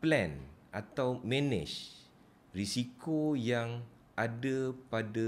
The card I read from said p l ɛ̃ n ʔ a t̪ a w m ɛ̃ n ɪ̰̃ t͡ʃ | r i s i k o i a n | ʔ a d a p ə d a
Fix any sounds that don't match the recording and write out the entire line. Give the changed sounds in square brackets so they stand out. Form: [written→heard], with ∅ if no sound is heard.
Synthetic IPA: p l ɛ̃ n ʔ a t̪ a w m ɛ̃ n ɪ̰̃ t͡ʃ | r i s i k o [i→j] a [n→ŋ] | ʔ a d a p [ə→a] d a